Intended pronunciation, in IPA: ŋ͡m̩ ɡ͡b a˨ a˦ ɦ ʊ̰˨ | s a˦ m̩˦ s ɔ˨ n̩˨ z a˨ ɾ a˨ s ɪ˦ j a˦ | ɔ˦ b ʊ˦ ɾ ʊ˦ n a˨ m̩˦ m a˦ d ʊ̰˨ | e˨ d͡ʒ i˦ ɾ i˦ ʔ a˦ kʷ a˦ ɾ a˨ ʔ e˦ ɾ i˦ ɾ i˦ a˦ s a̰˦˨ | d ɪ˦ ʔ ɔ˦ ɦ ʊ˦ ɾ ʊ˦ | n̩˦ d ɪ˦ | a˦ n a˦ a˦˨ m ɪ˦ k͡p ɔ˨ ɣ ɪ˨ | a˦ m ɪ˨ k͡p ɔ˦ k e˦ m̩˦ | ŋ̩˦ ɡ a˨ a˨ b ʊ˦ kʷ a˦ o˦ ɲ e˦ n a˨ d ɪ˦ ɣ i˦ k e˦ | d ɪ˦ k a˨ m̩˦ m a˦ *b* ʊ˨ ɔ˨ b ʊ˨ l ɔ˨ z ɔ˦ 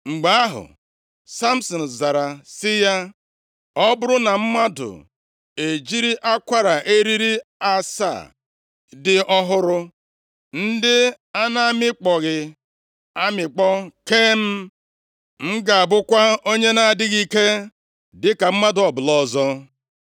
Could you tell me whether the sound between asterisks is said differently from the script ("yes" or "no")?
yes